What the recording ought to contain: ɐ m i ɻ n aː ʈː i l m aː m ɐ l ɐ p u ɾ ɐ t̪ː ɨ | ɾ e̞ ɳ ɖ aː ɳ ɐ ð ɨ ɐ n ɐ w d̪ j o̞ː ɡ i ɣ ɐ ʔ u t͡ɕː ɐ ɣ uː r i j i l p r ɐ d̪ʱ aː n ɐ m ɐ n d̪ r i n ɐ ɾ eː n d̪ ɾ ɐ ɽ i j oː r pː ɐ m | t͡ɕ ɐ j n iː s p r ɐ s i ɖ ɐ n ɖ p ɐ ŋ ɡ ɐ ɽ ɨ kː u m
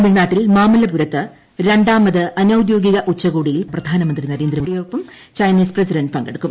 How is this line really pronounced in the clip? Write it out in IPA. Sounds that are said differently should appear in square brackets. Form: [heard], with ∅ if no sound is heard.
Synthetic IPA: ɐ m i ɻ n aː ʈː i l m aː m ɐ l ɐ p u ɾ ɐ t̪ː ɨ | ɾ e̞ ɳ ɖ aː [m] ɐ ð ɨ ɐ n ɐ w d̪ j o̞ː ɡ i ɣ ɐ ʔ u t͡ɕː ɐ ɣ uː [ɽ] i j i l p r ɐ d̪ʱ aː n ɐ m ɐ n d̪ r i n ɐ ɾ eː n d̪ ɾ ɐ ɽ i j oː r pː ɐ m | t͡ɕ ɐ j n iː s p r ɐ s i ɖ ɐ n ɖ p ɐ ŋ ɡ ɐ ɽ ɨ kː u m